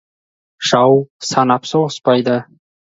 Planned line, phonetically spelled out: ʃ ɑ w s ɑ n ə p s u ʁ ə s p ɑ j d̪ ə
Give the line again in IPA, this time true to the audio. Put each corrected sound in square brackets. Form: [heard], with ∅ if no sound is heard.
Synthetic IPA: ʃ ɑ w s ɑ n [ɑ] p s [o] ʁ ə s p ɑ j d̪ ə

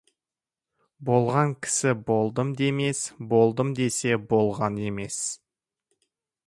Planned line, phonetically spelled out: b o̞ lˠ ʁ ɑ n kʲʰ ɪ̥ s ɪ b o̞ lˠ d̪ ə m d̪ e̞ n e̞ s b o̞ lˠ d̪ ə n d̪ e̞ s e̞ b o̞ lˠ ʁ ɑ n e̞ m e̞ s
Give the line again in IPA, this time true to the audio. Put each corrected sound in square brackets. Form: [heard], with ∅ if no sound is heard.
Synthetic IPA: b o̞ lˠ ʁ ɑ [ŋ] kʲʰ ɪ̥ s ɪ b o̞ lˠ d̪ ə m d̪ e̞ [m] e̞ s b o̞ lˠ d̪ ə [m] d̪ e̞ s e̞ b o̞ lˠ ʁ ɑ n e̞ m e̞ s

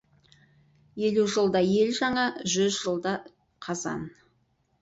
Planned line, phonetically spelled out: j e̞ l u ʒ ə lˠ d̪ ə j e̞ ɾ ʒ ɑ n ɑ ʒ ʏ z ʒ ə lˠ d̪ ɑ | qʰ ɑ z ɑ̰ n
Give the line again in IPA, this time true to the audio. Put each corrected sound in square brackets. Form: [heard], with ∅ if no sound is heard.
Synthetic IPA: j e̞ l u ʒ ə lˠ d̪ [ɑ] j e̞ [l] ʒ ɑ [ɴ] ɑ ʒ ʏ z ʒ ə lˠ d̪ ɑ | qʰ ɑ z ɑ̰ n

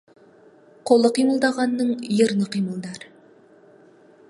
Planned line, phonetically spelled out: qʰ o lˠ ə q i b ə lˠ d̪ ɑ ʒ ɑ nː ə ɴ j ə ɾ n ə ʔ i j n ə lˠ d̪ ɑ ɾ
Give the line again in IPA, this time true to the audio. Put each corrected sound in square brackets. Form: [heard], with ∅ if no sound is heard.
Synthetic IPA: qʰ o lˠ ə q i [m] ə lˠ d̪ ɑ [ʁ] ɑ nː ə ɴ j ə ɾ n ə [q] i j [m] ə lˠ d̪ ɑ ɾ

